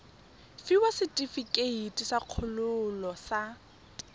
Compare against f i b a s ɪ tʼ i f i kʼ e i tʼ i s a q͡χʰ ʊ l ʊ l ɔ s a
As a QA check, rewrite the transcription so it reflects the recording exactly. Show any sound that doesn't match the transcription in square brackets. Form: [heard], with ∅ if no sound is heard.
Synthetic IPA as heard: f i [w] a s ɪ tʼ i f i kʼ e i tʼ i s a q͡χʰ ʊ l ʊ l ɔ s a